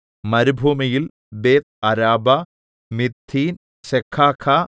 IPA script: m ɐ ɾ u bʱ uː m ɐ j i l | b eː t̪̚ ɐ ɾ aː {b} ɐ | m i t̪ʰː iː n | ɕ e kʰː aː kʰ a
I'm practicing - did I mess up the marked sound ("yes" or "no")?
no